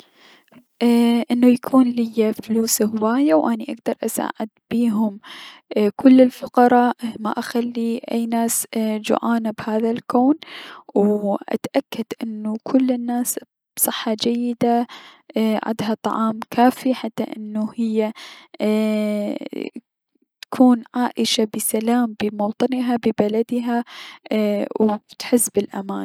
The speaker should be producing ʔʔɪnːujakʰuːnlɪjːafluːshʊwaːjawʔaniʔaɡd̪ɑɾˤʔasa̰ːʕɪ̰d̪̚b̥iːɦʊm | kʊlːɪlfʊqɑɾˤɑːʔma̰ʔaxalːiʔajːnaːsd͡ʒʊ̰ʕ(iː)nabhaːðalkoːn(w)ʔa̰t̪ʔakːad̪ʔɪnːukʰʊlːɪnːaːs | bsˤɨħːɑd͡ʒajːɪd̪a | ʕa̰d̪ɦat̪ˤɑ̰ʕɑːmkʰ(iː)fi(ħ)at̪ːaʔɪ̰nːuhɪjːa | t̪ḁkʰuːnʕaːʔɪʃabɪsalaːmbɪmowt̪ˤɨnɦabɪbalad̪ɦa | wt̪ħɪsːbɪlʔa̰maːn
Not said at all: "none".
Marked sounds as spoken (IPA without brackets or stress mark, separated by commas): aː, w, aː, ħ